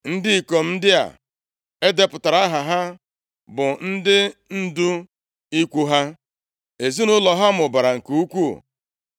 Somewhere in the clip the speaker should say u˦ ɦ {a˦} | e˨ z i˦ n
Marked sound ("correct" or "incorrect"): correct